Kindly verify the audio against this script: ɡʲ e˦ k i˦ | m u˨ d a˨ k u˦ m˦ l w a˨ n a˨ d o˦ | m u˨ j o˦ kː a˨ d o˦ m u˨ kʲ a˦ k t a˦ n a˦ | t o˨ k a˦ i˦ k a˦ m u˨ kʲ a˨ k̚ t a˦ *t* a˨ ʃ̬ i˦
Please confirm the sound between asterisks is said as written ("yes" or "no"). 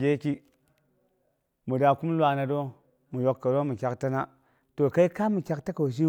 no